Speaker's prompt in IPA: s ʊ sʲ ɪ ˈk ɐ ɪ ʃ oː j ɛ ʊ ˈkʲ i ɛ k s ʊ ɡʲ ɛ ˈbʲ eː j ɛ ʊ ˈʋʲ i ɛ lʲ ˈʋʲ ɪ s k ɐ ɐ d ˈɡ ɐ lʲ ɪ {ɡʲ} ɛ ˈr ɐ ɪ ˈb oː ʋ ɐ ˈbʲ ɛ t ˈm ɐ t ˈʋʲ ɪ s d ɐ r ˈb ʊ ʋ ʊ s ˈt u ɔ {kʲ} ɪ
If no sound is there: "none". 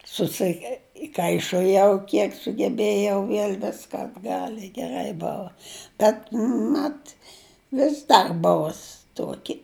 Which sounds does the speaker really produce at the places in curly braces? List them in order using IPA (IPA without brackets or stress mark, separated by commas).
ɡʲ, kʲ